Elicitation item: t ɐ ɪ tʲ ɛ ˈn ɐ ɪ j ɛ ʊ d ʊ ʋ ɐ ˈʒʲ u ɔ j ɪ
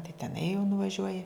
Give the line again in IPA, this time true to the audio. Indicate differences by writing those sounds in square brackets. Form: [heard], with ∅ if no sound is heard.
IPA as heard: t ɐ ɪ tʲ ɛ ˈn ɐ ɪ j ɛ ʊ [n] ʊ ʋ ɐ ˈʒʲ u ɔ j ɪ